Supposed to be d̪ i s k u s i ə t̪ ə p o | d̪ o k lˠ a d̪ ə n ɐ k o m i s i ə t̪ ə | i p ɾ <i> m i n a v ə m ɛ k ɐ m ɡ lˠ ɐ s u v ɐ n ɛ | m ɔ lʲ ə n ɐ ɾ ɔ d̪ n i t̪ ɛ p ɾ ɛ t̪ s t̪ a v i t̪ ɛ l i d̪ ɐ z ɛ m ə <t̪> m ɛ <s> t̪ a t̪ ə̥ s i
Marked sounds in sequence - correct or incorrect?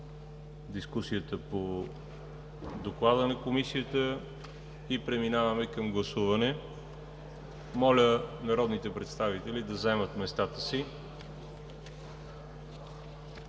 incorrect, correct, correct

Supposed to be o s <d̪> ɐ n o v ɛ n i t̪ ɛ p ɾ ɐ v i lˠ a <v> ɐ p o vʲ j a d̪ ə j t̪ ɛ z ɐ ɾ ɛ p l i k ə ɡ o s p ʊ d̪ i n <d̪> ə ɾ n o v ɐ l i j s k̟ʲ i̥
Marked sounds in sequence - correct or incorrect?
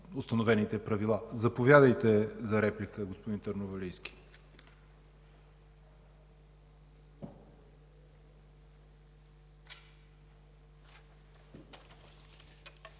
incorrect, incorrect, incorrect

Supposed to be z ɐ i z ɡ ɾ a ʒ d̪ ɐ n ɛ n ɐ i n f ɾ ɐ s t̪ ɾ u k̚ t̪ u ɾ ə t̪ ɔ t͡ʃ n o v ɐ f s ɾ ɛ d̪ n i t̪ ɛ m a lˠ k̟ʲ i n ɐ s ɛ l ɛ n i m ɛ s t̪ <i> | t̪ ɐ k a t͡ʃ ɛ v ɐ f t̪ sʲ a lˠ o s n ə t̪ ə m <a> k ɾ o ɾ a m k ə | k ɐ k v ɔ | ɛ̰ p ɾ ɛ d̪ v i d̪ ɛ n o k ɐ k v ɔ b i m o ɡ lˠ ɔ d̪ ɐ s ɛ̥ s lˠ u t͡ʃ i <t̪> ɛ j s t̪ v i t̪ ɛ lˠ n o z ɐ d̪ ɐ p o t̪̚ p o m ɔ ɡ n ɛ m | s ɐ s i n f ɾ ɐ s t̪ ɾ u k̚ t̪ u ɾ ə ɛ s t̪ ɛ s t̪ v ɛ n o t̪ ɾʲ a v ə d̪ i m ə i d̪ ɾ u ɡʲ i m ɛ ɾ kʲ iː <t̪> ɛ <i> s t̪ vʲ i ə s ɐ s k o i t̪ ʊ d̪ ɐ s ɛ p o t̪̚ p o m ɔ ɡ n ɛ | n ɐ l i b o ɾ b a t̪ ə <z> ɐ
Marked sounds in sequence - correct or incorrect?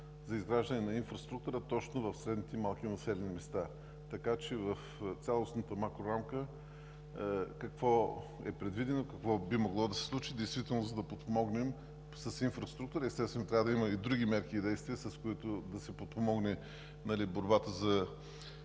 incorrect, correct, incorrect, incorrect, incorrect, correct

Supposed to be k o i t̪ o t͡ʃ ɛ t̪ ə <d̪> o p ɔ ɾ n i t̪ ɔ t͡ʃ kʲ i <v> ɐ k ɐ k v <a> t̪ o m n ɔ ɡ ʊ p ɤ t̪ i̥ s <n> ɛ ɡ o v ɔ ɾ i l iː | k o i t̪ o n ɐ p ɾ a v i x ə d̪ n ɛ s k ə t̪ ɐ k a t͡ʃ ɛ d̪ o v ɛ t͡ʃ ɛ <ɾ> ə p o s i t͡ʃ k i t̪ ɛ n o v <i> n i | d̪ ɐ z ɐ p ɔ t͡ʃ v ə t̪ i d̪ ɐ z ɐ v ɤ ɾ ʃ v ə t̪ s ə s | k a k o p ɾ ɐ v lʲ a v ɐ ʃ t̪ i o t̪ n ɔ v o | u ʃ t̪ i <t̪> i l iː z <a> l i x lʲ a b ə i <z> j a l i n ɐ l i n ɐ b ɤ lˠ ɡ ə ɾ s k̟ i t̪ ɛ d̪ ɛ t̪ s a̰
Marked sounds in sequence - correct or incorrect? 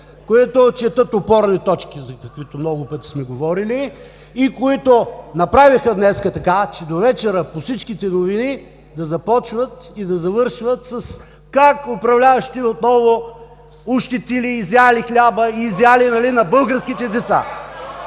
incorrect, incorrect, incorrect, incorrect, correct, correct, correct, correct, correct

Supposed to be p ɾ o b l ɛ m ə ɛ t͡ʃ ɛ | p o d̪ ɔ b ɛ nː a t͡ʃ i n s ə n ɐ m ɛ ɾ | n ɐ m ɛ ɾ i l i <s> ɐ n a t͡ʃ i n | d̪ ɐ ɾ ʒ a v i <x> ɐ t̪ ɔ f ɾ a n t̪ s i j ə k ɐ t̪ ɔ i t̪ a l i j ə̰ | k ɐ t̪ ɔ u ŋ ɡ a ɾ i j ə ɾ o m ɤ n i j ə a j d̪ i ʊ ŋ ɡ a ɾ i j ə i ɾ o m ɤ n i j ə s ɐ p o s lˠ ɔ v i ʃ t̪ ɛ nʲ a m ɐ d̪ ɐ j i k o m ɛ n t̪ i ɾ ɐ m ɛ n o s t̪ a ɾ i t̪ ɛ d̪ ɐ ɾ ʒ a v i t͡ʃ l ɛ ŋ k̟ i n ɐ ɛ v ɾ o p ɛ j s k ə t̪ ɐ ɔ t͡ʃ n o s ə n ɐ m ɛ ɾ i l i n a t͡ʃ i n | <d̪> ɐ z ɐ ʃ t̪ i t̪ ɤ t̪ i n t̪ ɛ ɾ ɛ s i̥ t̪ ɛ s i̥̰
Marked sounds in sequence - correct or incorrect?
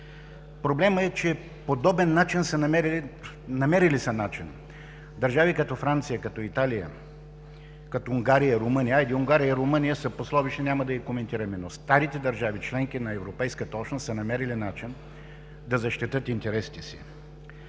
correct, incorrect, correct

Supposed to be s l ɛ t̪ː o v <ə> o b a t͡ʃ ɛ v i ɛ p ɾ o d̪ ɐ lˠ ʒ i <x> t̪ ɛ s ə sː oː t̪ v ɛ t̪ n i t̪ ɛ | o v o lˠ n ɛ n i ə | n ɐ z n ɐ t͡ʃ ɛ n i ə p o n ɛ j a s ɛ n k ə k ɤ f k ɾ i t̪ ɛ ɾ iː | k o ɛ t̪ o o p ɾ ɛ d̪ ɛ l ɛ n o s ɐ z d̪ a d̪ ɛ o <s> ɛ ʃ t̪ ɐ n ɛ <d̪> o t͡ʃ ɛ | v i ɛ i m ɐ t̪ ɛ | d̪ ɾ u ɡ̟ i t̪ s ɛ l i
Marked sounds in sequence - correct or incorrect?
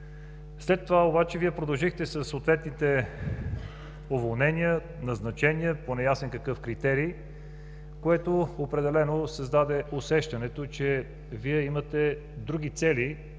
incorrect, correct, correct, incorrect

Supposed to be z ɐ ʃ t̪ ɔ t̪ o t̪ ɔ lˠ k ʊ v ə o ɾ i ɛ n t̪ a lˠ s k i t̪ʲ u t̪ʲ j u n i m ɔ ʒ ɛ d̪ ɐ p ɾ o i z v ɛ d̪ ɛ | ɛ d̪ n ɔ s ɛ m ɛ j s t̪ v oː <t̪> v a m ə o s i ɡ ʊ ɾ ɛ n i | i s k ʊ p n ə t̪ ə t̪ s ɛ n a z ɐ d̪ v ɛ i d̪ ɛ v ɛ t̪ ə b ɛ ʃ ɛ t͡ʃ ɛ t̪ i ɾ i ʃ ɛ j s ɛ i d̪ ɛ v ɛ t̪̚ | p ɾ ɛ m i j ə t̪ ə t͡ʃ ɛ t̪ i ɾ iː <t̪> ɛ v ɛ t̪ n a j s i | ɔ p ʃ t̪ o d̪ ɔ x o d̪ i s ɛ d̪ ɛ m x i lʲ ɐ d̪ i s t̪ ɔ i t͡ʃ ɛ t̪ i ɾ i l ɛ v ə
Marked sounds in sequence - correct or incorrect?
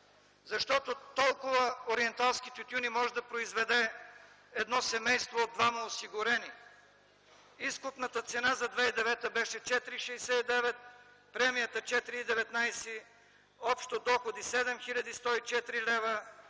incorrect, incorrect

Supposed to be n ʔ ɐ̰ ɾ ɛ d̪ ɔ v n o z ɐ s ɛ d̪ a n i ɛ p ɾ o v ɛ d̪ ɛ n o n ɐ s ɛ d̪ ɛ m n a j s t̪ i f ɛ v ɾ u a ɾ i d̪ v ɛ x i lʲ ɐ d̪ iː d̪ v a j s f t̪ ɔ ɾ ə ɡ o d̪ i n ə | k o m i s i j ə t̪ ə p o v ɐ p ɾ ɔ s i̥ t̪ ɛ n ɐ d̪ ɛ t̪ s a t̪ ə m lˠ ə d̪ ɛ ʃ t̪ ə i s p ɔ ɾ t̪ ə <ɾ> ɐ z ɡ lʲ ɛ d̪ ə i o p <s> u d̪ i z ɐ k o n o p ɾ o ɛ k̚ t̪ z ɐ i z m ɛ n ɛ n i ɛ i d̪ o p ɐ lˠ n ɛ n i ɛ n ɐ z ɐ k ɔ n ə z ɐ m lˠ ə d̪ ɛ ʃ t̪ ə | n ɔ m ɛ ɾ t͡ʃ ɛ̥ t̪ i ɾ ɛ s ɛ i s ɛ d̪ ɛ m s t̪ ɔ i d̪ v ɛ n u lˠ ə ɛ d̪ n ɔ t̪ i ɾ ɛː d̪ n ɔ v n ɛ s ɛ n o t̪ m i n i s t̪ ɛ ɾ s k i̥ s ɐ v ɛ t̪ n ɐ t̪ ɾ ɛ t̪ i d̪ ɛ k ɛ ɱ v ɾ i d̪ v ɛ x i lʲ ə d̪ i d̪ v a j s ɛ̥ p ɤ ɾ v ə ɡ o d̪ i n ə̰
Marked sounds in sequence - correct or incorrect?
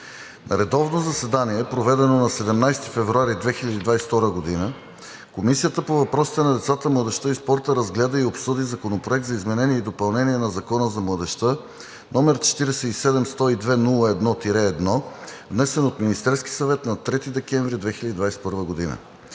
correct, correct

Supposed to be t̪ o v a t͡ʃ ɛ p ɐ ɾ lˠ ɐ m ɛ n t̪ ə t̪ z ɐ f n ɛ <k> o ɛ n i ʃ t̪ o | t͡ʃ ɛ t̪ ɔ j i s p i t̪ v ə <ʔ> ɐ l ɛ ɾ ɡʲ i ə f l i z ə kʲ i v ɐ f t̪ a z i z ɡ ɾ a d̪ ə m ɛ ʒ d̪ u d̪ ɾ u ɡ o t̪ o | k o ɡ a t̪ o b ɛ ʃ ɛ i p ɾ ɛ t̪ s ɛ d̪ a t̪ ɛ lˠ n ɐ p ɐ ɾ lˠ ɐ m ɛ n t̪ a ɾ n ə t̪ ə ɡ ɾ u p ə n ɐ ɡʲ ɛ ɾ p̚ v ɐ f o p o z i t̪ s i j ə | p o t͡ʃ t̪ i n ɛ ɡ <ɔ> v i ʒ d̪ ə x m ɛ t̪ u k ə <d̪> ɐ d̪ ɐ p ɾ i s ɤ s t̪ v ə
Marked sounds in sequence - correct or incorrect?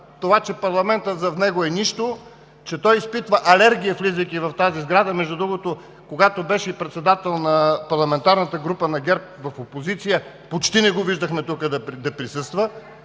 incorrect, correct, incorrect, correct

